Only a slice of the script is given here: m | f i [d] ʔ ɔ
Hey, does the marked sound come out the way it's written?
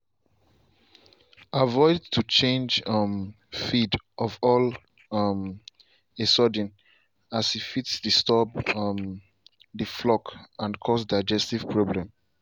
yes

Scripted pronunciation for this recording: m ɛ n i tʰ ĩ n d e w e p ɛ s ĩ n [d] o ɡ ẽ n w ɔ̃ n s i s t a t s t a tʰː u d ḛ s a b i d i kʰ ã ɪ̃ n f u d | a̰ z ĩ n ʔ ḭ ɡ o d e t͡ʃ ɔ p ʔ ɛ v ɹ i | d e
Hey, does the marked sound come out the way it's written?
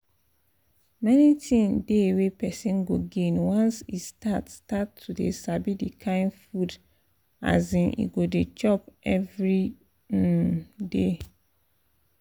no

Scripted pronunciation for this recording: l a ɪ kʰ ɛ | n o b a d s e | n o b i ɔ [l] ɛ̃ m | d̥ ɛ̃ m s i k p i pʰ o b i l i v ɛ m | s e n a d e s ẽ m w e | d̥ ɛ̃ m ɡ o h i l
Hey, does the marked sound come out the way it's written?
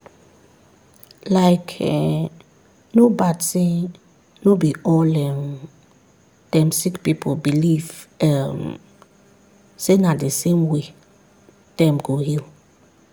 yes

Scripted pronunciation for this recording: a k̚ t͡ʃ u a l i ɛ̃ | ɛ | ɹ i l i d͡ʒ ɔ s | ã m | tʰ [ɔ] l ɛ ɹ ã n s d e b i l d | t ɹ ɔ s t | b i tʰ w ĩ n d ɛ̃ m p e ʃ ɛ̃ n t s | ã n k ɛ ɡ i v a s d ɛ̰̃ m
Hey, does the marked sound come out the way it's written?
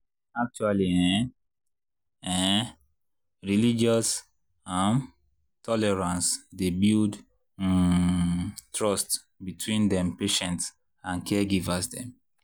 yes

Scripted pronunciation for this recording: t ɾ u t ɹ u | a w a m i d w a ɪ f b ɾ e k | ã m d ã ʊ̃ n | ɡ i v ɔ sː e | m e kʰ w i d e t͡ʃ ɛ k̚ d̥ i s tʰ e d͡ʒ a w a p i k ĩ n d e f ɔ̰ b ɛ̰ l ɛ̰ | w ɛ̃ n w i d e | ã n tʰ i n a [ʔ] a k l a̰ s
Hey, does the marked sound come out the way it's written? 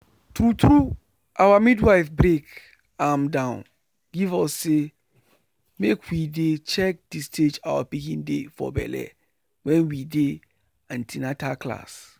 no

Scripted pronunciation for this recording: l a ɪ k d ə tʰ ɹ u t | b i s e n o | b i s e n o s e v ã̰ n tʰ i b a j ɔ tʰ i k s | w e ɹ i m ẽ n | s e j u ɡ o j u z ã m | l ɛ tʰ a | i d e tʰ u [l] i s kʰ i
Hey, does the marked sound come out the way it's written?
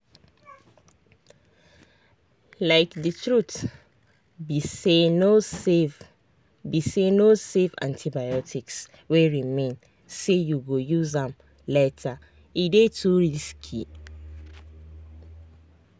no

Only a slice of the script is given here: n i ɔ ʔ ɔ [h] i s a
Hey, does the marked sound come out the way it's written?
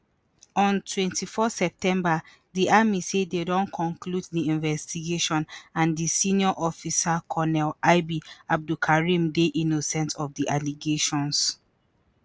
no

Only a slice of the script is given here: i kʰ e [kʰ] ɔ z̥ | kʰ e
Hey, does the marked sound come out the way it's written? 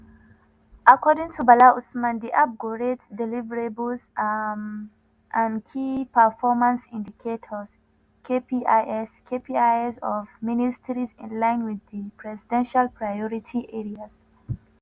no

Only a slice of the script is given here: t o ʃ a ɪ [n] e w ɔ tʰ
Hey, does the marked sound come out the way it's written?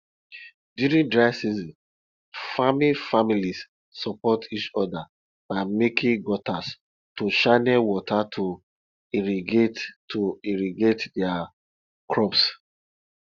yes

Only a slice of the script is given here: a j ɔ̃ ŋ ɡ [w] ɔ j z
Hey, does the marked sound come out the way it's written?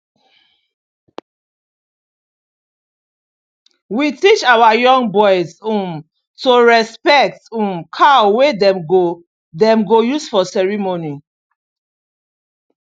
no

